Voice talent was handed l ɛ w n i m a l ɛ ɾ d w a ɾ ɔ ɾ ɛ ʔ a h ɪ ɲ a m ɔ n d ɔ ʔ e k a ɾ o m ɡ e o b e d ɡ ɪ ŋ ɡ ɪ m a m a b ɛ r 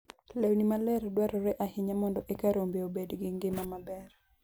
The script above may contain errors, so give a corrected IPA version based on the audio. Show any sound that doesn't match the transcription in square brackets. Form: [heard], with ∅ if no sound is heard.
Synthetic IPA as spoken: l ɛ w n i m a l ɛ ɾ d w a ɾ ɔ ɾ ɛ ʔ a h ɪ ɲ a m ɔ n d ɔ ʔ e k a ɾ o m [b] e o b e d ɡ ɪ ŋ ɡ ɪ m a m a b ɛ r